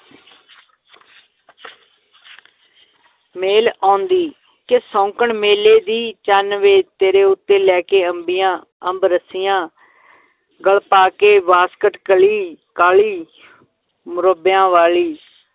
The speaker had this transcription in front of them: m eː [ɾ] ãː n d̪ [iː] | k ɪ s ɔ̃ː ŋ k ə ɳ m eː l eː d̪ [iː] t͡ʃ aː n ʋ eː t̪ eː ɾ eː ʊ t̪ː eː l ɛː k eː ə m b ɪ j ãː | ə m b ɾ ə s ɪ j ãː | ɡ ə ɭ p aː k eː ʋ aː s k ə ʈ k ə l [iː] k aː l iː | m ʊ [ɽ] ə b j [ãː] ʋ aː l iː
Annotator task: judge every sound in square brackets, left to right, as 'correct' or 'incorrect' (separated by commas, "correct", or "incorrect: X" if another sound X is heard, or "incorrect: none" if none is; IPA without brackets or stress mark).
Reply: incorrect: l, correct, correct, correct, incorrect: ɾ, correct